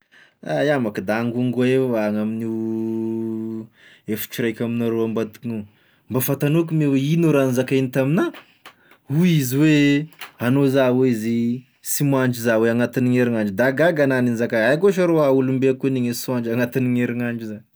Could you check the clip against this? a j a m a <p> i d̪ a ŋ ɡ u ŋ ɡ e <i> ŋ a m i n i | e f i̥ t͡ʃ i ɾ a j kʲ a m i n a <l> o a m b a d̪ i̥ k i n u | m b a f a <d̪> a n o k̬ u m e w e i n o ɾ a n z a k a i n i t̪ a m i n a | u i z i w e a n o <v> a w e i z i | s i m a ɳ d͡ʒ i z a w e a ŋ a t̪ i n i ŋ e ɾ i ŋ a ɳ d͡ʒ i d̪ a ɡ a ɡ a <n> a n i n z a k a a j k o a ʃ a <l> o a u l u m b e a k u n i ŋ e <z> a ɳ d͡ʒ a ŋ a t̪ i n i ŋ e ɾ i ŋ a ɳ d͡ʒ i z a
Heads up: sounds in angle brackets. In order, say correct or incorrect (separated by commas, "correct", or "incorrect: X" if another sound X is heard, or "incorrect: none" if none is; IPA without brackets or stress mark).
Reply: incorrect: k, incorrect: a, incorrect: ɾ, incorrect: t̪, incorrect: z, correct, incorrect: ɾ, incorrect: s